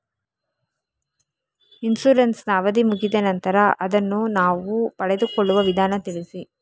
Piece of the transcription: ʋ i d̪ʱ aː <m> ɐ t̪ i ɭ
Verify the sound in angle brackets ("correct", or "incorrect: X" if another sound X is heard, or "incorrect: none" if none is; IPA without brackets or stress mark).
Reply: incorrect: n